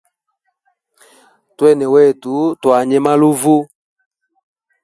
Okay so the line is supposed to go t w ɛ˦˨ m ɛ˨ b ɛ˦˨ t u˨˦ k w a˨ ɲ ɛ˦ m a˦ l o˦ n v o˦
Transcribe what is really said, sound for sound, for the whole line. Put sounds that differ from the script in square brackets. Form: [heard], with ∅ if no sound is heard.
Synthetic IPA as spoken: t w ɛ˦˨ [n] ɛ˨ [w] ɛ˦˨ t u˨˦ [t] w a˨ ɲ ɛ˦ m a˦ l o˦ [∅] v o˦